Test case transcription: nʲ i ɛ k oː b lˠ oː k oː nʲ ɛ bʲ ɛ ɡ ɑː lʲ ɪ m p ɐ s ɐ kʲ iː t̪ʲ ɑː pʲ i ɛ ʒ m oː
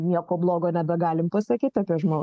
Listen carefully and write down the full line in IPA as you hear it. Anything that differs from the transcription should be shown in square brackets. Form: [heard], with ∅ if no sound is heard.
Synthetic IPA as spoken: nʲ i ɛ k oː b lˠ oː [ɡ] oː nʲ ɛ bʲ ɛ ɡ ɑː lʲ ɪ m p ɐ s ɐ kʲ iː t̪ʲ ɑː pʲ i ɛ ʒ m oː